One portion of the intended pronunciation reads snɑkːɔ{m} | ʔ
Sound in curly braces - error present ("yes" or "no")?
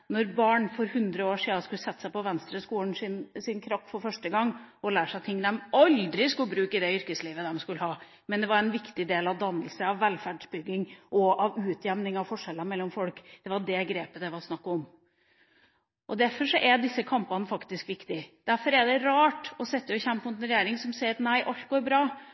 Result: no